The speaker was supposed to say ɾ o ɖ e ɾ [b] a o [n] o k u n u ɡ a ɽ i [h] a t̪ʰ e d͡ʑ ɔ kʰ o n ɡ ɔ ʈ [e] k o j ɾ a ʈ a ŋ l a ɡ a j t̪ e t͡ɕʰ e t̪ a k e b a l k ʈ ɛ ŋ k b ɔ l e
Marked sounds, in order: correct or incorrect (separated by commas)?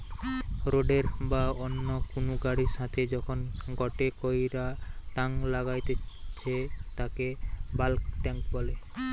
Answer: correct, incorrect, incorrect, correct